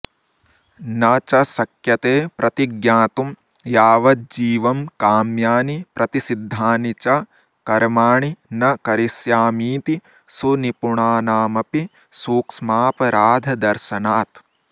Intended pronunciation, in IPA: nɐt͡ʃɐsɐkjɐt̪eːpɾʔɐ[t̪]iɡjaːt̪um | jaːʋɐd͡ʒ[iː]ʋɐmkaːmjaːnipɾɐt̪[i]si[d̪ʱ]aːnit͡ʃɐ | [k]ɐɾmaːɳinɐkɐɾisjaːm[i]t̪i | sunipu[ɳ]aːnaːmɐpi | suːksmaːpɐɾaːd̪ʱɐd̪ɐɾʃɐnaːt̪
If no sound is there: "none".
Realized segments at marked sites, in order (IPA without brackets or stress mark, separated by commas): t̪, iː, i, d̪ʱː, k, iː, ɳ